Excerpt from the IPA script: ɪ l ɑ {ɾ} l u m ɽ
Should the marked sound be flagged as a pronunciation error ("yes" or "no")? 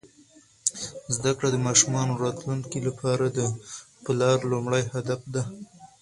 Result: no